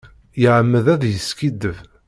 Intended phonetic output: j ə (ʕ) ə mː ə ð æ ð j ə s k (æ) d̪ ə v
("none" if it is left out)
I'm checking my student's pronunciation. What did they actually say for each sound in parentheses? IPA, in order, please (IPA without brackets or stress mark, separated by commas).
ʕ, i